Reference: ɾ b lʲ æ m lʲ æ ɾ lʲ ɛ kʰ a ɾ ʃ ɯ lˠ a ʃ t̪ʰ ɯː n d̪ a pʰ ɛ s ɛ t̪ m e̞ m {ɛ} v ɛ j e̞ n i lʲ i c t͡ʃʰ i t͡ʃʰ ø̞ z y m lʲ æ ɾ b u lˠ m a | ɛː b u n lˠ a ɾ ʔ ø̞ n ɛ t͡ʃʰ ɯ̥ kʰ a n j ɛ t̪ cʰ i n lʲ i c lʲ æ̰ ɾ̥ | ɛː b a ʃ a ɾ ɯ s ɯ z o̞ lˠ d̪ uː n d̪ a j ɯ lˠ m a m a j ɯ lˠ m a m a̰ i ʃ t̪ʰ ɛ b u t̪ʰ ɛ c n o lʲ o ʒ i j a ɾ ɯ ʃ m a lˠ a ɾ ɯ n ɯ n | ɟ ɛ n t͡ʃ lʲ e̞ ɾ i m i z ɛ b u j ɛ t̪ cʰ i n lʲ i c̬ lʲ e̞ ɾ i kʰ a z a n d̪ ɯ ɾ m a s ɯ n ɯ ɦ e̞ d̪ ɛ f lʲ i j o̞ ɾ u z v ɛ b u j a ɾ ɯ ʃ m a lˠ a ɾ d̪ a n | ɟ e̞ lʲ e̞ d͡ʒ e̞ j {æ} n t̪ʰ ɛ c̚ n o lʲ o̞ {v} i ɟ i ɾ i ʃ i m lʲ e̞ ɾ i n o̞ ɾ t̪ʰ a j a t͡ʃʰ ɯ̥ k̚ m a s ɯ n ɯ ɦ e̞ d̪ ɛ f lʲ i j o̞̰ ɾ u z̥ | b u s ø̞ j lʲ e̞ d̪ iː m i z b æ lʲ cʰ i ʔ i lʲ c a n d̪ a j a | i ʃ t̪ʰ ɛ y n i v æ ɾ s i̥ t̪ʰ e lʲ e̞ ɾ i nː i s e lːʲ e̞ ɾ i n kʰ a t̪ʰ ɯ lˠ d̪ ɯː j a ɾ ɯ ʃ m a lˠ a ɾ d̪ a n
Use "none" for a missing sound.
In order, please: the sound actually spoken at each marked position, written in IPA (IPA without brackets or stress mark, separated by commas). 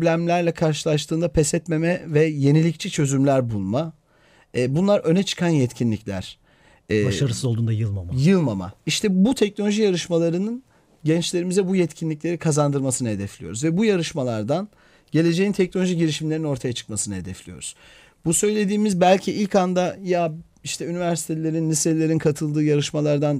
ɛ, i, ʒ